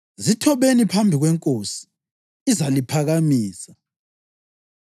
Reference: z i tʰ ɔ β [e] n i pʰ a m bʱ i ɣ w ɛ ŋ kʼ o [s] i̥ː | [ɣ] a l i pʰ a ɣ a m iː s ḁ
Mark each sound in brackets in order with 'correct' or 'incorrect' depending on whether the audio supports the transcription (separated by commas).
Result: correct, correct, incorrect